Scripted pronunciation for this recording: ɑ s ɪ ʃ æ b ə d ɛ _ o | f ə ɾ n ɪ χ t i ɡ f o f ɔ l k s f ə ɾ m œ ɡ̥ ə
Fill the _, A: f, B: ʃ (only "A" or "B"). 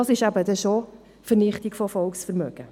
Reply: B